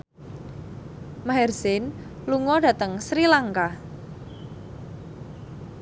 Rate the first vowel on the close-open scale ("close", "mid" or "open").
open